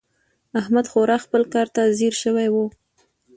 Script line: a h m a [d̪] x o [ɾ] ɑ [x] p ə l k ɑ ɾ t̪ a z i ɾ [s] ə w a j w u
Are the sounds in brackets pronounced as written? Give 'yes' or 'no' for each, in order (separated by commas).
yes, yes, yes, no